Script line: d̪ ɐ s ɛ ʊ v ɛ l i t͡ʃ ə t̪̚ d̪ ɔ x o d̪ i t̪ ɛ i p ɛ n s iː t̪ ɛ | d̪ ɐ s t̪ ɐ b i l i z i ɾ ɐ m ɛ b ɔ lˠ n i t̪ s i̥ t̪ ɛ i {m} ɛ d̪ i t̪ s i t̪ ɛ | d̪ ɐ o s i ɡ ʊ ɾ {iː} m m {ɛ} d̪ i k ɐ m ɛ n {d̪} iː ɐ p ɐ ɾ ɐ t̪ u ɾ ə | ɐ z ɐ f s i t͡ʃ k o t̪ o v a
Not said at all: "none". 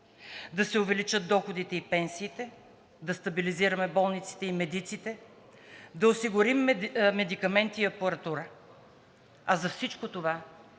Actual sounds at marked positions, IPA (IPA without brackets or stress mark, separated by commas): m, i, ɛ, t̪